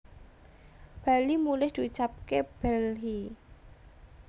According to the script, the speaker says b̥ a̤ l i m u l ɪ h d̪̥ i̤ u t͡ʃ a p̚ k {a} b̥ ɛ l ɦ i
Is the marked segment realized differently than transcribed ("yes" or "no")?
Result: yes